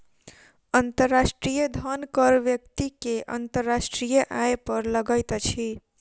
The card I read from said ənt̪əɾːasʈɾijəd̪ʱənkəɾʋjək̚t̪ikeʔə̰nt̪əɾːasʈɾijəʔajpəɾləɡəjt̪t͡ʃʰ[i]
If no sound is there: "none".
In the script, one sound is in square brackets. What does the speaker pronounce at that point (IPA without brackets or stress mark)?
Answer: i